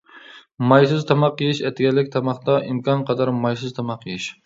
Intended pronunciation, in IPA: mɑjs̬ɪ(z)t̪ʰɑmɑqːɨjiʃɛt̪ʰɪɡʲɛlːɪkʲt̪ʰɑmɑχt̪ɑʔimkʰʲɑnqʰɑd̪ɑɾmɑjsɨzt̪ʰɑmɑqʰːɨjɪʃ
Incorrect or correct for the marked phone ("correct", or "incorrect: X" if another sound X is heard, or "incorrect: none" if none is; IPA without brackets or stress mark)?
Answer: correct